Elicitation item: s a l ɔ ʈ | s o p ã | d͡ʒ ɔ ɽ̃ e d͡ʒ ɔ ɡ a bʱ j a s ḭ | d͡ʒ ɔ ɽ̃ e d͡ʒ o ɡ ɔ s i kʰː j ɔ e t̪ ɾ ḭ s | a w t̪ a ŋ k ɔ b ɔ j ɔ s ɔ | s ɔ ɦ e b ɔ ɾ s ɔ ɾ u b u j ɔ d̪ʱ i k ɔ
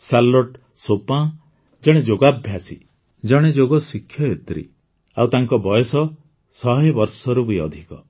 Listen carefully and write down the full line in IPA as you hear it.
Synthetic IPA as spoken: s a l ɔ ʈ | s o p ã | d͡ʒ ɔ ɽ̃ e d͡ʒ o ɡ a bʱ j a s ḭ | d͡ʒ ɔ ɽ̃ e d͡ʒ o ɡ ɔ s i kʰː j ɔ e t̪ ɾ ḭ | a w t̪ a ŋ k ɔ b ɔ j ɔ s ɔ | s ɔ ɦ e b ɔ ɾ s ɔ ɾ u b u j ɔ d̪ʱ i k ɔ

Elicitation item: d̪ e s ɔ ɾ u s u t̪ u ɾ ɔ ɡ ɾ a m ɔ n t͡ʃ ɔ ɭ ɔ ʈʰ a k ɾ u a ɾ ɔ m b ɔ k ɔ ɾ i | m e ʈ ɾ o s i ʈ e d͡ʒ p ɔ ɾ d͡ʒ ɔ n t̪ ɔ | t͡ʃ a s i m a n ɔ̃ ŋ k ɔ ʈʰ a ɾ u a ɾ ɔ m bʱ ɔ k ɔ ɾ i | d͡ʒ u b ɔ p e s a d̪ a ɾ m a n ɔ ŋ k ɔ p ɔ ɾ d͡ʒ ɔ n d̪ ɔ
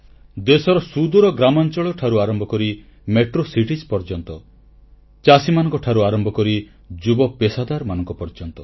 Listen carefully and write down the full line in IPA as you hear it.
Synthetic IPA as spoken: d̪ e s ɔ ɾ ɔ s u d̪ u ɾ ɔ ɡ ɾ a m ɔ n t͡ʃ ɔ ɭ ɔ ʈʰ a ɾ u a ɾ ɔ m b ɔ k ɔ ɾ i | m e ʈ ɾ o s i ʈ i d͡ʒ p ɔ ɾ d͡ʒ ɔ n t̪ ɔ | t͡ʃ a s i m a n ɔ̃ ŋ k ɔ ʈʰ a ɾ u a ɾ ɔ m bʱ ɔ k ɔ ɾ i | d͡ʒ u b ɔ p e s a d̪ a ɾ m a n ɔ ŋ k ɔ p ɔ ɾ d͡ʒ ɔ n t̪ ɔ

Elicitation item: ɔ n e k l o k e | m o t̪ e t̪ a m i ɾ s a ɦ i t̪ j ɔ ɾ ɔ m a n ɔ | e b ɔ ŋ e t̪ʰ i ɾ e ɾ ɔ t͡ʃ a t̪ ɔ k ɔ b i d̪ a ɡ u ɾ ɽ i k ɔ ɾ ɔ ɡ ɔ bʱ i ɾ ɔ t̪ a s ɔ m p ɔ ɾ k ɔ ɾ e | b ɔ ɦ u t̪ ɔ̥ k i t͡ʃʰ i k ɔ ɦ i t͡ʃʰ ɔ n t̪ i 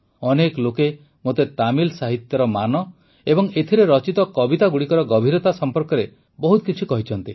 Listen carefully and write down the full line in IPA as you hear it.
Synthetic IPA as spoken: ɔ n e k l o k e | m o t̪ e t̪ a m i l s a ɦ i t̪ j ɔ ɾ ɔ m a n ɔ | e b ɔ ŋ e t̪ʰ i ɾ e ɾ ɔ t͡ʃ i t̪ ɔ k ɔ b i t̪ a ɡ u ɽ i k ɔ ɾ ɔ ɡ ɔ bʱ i ɾ ɔ t̪ a s ɔ m p ɔ ɾ k ɔ ɾ e | b ɔ ɦ u t̪ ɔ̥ k i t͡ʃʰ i k ɔ ɦ i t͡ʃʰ ɔ n t̪ i

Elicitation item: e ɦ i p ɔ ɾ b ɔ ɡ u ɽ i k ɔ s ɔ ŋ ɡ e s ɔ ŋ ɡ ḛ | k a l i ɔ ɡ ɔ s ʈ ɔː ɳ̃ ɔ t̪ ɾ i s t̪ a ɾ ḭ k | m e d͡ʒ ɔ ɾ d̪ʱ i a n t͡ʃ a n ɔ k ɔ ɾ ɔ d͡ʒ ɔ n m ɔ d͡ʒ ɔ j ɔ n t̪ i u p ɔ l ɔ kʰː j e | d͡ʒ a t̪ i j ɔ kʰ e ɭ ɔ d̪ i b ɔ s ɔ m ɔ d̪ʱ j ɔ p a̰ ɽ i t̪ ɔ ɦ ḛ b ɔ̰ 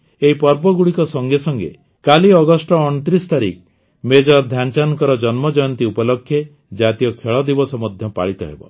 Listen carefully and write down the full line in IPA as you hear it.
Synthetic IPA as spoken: e ɦ i p ɔ ɾ b ɔ ɡ u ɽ i k ɔ s ɔ ŋ ɡ e s ɔ ŋ ɡ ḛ | k a l i ɔ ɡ ɔ s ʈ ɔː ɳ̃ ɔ t̪ ɾ i s t̪ a ɾ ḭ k | m e d͡ʒ ɔ ɾ d̪ʱ j a n t͡ʃ a n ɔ k ɔ ɾ ɔ d͡ʒ ɔ n m ɔ d͡ʒ ɔ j ɔ n t̪ i u p ɔ l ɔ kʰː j e | d͡ʒ a t̪ i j ɔ kʰ e ɭ ɔ d̪ i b ɔ s ɔ m ɔ d̪ʱ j ɔ p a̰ ɭ i t̪ ɔ ɦ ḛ b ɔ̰

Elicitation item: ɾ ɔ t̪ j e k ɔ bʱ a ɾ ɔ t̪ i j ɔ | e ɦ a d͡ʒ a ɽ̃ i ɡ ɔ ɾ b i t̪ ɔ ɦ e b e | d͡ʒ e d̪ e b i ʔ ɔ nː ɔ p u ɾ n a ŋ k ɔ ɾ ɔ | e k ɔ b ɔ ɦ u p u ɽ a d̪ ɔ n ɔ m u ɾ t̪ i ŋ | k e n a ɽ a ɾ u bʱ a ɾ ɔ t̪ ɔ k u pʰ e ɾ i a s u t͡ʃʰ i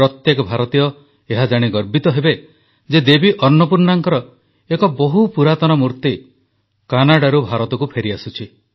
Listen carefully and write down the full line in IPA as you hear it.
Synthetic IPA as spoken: ɾ ɔ t̪ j e k ɔ bʱ a ɾ ɔ t̪ i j ɔ | e ɦ a d͡ʒ a ɽ̃ i ɡ ɔ ɾ b i t̪ ɔ ɦ e b e | d͡ʒ e d̪ e b i ʔ ɔ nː ɔ p u ɾ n a ŋ k ɔ ɾ ɔ | e k ɔ b ɔ ɦ u p u ɾ a t̪ ɔ n ɔ m u ɾ t̪ i | k a n a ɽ a ɾ u bʱ a ɾ ɔ t̪ ɔ k u pʰ e ɾ i a s u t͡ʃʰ i

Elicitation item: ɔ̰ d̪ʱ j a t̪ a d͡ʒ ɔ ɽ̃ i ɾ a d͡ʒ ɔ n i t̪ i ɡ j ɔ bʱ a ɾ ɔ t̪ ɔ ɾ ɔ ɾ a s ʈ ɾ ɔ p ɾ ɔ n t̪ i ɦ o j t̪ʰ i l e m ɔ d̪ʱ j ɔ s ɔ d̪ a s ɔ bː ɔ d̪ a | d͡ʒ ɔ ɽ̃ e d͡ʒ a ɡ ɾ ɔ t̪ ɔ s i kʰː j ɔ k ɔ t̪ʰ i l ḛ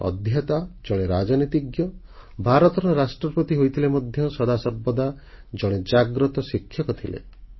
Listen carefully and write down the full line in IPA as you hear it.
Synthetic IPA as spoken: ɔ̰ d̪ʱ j a t̪ a d͡ʒ ɔ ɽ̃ e ɾ a d͡ʒ ɔ n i t̪ i ɡ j ɔ bʱ a ɾ ɔ t̪ ɔ ɾ ɔ ɾ a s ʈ ɾ ɔ p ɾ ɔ t̪ i ɦ o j t̪ʰ i l e m ɔ d̪ʱ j ɔ s ɔ d̪ a s ɔ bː ɔ d̪ a | d͡ʒ ɔ ɽ̃ e d͡ʒ a ɡ ɾ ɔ t̪ ɔ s i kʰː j ɔ k ɔ t̪ʰ i l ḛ

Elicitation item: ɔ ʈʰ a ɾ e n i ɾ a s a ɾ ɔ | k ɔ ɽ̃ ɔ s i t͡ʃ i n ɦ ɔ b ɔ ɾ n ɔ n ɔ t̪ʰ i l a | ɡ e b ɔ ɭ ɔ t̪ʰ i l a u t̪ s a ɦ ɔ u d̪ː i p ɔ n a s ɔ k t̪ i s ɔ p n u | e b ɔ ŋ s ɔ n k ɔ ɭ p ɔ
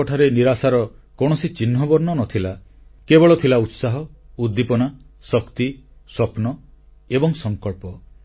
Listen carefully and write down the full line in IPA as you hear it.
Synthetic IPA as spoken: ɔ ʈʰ a ɾ e n i ɾ a s a ɾ ɔ | k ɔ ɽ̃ ɔ s i t͡ʃ i n ɦ ɔ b ɔ ɾ n ɔ n ɔ t̪ʰ i l a | k e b ɔ ɭ ɔ t̪ʰ i l a u t̪ s a ɦ ɔ u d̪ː i p ɔ n a s ɔ k t̪ i s ɔ p n ɔ | e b ɔ ŋ s ɔ ŋ k ɔ ɭ p ɔ

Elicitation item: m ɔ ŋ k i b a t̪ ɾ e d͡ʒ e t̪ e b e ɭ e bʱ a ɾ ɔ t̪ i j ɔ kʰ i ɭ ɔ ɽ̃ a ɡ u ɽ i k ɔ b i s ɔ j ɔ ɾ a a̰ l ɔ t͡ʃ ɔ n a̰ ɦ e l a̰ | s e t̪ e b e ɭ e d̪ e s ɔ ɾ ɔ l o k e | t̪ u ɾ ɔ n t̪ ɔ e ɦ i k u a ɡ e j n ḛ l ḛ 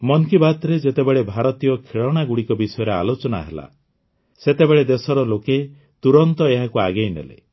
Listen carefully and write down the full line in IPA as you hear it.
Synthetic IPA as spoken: m ɔ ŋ k i b a t̪ ɾ e d͡ʒ e t̪ e b e ɭ e bʱ a ɾ ɔ t̪ i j ɔ kʰ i ɭ ɔ ɽ̃ a ɡ u ɽ i k ɔ b i s ɔ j ɔ ɾ e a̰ l o t͡ʃ ɔ n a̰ ɦ e l a̰ | s e t̪ e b e ɭ e d̪ e s ɔ ɾ ɔ l o k e | t̪ u ɾ ɔ n t̪ ɔ e ɦ a k u a ɡ e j n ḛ l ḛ

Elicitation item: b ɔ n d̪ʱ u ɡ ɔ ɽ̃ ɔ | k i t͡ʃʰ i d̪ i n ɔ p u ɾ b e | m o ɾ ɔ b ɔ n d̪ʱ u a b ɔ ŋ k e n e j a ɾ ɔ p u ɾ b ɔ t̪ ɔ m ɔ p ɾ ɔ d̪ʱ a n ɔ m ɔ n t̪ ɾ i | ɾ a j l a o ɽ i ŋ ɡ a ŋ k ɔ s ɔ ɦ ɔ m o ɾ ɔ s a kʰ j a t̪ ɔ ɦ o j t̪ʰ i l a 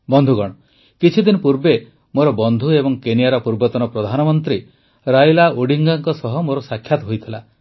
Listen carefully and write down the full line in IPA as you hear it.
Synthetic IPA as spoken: b ɔ n d̪ʱ u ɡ ɔ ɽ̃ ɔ | k i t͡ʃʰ i d̪ i n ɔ p u ɾ b e | m o ɾ ɔ b ɔ n d̪ʱ u e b ɔ ŋ k e n i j a ɾ ɔ p u ɾ b ɔ t̪ ɔ n ɔ p ɾ ɔ d̪ʱ a n ɔ m ɔ n t̪ ɾ i | ɾ a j l a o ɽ i ŋ ɡ a ŋ k ɔ s ɔ ɦ ɔ m o ɾ ɔ s a kʰ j a t̪ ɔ ɦ o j t̪ʰ i l a

